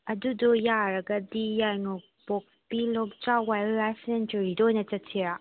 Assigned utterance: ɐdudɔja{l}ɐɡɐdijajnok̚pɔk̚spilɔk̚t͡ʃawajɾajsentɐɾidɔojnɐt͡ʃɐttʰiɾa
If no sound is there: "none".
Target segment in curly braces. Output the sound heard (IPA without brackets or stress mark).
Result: ɾ